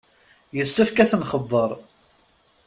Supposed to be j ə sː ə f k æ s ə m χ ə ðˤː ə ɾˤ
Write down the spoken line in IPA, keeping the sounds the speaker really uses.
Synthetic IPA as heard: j ə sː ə f k æ θ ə n χ ə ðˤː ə ɾˤ